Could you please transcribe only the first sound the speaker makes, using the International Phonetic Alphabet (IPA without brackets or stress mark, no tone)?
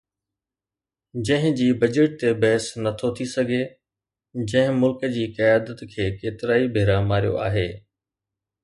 d͡ʑ